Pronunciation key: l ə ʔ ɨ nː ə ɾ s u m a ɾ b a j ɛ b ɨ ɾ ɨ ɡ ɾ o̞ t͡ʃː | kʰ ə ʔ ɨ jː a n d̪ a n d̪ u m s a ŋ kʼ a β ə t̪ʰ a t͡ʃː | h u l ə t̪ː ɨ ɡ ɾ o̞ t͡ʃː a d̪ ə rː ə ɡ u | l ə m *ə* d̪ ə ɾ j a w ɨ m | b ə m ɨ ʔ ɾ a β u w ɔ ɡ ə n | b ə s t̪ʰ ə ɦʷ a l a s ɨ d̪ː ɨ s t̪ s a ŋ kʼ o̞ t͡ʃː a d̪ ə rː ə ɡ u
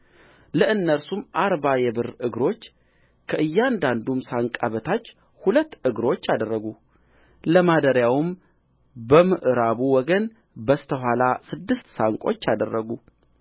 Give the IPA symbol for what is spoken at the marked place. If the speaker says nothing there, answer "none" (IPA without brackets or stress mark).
a